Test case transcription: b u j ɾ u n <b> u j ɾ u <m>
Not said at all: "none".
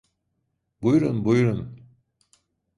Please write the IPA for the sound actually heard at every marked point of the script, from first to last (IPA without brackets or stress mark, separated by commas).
b, n